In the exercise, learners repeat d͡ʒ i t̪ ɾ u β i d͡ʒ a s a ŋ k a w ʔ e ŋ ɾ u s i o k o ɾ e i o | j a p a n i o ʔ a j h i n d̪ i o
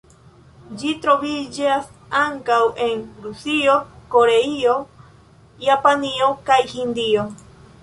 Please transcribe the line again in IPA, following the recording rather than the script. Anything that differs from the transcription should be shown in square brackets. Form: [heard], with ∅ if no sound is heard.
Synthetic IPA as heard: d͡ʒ i t̪ ɾ [o] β i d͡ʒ a s a ŋ k a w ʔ e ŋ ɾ u s i o k o ɾ e i o | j a p a n i o [k] a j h i n d̪ i o